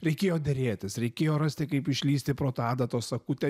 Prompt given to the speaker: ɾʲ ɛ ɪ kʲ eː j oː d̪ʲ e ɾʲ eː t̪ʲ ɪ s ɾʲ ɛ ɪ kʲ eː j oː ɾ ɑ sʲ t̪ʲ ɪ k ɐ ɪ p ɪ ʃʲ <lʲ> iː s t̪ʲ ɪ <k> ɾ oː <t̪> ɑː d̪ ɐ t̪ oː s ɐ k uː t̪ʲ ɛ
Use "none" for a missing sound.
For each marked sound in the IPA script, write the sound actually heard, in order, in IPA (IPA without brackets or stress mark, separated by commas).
lʲ, p, t̪